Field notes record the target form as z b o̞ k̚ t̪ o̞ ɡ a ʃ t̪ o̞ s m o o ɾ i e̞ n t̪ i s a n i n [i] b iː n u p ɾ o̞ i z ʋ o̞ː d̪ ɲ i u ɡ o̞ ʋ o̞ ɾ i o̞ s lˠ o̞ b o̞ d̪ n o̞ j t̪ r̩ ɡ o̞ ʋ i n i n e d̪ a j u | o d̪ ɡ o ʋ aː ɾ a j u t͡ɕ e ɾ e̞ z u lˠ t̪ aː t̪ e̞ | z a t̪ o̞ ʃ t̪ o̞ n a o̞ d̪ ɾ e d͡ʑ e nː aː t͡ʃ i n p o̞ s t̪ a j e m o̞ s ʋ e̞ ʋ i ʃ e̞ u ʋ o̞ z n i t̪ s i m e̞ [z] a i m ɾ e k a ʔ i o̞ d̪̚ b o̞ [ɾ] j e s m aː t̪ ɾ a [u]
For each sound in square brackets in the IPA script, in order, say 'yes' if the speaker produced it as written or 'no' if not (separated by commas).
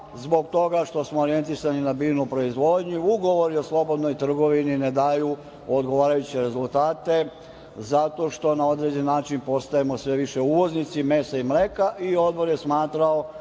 no, no, yes, no